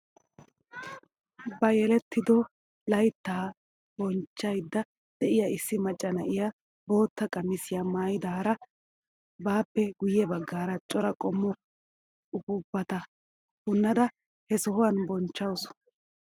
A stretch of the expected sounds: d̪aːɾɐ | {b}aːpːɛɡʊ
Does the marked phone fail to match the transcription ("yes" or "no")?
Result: no